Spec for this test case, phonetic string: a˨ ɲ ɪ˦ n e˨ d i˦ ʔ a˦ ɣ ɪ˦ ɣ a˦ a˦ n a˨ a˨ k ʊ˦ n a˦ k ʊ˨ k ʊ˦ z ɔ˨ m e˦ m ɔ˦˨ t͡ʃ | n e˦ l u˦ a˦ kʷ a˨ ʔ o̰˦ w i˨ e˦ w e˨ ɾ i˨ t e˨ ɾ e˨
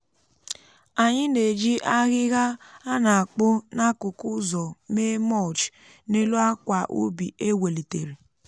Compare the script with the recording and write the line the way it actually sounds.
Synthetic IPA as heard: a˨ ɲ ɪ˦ n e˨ d͡ʒ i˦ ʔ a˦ ɣ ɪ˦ ɣ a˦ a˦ n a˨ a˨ k͡p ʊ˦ n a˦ k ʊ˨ k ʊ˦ z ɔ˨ m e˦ m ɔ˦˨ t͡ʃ | n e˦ l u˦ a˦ kʷ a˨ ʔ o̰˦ b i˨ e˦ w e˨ l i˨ t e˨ ɾ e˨